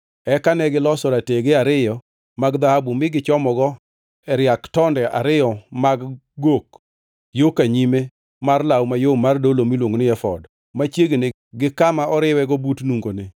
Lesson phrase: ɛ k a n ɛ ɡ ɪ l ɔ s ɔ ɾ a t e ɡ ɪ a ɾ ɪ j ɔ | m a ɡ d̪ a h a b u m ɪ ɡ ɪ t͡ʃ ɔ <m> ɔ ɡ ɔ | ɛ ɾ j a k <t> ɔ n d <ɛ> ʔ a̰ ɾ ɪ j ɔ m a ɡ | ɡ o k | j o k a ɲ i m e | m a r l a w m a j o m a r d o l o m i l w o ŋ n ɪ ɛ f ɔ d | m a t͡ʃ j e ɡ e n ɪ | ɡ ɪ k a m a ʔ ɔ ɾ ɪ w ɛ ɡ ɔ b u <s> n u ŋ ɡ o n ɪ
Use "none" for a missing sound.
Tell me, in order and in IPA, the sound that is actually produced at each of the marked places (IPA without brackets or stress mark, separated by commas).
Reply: m, t, ɛ, t